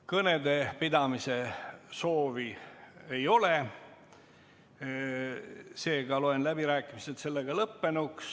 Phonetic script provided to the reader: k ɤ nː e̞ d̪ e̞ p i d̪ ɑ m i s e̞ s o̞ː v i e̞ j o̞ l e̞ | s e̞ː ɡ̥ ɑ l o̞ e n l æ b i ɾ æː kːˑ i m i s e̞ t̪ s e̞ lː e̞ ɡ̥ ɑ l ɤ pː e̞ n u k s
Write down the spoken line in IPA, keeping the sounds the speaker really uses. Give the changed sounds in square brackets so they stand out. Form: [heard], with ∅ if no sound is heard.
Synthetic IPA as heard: k ɤ [n] e̞ d̪ e̞ p i d̪ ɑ m i s e̞ s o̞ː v i e̞ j o̞ l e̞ | s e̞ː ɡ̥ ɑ l o̞ e n l æ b i ɾ æː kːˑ i m i s e̞ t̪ s e̞ lː e̞ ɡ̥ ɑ l ɤ pː e̞ n u k s